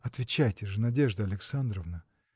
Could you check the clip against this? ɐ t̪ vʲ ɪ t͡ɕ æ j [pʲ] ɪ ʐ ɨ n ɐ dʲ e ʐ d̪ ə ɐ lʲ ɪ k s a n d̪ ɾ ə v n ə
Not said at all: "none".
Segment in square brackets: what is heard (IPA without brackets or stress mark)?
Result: tʲ